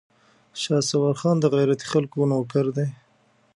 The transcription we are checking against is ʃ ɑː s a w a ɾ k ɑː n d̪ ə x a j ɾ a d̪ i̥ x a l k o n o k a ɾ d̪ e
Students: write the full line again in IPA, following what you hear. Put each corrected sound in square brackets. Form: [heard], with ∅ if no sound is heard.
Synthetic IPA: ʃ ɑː s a w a ɾ [x] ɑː n d̪ ə [ɣ] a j ɾ a [t̪] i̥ x a l k o n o k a ɾ d̪ e